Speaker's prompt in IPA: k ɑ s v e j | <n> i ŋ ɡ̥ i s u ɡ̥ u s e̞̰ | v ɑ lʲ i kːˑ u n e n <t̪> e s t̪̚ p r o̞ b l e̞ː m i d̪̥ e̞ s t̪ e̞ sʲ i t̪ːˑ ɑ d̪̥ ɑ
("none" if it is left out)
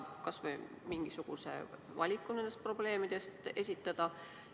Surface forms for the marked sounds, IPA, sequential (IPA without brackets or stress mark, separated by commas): m, d̪